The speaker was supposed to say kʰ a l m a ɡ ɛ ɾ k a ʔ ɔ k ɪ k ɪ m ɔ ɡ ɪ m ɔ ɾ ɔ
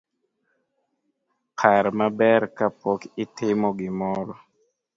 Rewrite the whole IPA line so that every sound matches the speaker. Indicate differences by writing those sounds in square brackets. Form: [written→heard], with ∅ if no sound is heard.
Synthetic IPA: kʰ a [l→ɾ] m a [ɡ→b] ɛ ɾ k a [ʔ→p] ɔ k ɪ [k→t] ɪ m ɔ ɡ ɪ m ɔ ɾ ɔ